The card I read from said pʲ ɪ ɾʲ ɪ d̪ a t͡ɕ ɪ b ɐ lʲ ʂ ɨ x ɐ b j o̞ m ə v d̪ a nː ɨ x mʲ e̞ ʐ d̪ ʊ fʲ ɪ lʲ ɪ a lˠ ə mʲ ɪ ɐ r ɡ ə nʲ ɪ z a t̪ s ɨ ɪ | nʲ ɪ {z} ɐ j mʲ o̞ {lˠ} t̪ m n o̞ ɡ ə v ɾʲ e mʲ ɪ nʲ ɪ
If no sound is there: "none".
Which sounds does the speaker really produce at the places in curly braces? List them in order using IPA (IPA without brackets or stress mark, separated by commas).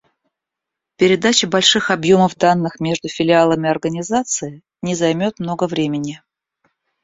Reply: z, none